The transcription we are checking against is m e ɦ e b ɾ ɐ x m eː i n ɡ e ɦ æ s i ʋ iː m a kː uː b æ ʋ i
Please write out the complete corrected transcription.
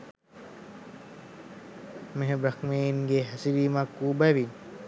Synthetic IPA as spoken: m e ɦ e b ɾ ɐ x m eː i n ɡ e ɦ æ s i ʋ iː m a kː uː b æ ʋ i

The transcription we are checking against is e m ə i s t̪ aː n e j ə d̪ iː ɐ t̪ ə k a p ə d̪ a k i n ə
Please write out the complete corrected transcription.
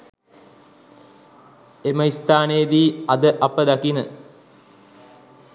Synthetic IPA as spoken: e m ə i s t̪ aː n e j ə d̪ iː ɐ d̪ ə ʔ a p ə d̪ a k i n ə

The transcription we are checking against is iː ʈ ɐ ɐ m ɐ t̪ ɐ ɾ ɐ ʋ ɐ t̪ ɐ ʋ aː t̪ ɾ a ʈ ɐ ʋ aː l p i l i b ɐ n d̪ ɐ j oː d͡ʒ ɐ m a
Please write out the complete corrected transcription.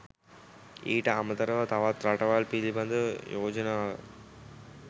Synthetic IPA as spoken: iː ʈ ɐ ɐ m ɐ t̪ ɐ ɾ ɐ ʋ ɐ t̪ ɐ ʋ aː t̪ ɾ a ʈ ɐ ʋ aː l p i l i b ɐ n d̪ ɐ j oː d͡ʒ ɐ n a

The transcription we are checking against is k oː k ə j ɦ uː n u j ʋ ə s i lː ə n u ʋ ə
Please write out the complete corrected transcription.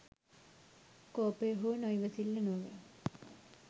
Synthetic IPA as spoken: k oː p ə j ɦ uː n o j ʋ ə s i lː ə n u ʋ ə

